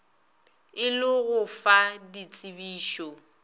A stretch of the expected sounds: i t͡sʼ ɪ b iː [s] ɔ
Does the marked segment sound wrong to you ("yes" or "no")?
yes